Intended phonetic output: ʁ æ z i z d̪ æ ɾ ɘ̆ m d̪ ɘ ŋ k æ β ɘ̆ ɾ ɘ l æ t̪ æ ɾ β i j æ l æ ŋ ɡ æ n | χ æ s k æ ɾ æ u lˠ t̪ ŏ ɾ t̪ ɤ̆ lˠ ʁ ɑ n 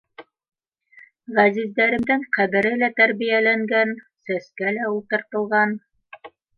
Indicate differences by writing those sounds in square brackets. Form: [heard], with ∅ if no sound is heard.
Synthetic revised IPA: ʁ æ z i z d̪ æ ɾ ɘ̆ m d̪ ɘ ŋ [q] æ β ɘ̆ ɾ ɘ l æ t̪ æ ɾ β i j æ l æ ŋ ɡ æ n | [s] æ s k æ [l] æ u lˠ t̪ [ɤ̆] ɾ t̪ ɤ̆ lˠ ʁ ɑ n